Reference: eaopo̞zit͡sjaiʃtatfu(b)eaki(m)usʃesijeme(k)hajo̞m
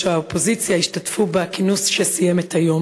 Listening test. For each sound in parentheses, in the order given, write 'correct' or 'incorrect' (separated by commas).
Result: correct, incorrect, incorrect